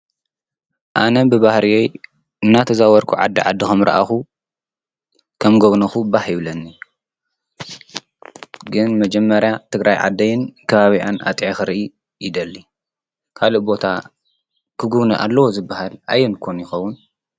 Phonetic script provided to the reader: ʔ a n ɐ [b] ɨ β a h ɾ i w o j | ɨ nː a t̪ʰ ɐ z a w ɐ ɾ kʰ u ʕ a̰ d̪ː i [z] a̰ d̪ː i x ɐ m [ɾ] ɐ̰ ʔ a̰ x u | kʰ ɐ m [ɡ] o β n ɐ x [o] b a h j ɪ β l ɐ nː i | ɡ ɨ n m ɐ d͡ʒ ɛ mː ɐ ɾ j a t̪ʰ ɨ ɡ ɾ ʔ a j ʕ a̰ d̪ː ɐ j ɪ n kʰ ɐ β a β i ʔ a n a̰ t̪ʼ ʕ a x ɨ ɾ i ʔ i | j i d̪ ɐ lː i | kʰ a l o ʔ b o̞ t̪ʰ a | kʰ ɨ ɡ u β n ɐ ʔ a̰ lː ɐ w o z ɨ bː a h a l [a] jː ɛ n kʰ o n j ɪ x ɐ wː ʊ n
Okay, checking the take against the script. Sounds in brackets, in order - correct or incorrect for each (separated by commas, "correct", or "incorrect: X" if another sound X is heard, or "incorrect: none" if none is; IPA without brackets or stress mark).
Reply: correct, incorrect: ʕ, correct, correct, incorrect: u, correct